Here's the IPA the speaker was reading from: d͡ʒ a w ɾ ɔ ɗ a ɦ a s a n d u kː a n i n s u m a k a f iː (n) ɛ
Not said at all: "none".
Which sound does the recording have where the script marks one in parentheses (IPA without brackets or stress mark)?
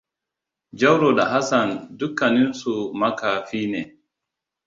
n